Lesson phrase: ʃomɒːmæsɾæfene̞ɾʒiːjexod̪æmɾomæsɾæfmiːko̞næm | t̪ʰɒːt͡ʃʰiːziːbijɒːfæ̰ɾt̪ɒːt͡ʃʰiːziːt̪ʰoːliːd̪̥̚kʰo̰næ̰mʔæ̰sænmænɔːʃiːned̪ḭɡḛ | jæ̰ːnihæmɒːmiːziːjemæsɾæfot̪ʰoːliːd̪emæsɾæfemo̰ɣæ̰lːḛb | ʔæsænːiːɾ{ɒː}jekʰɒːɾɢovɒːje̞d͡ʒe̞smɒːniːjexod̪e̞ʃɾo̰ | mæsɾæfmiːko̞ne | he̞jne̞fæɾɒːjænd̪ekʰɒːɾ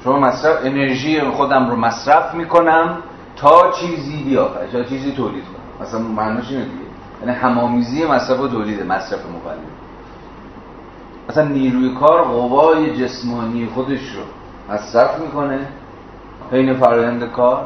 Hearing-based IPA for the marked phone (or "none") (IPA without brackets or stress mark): uː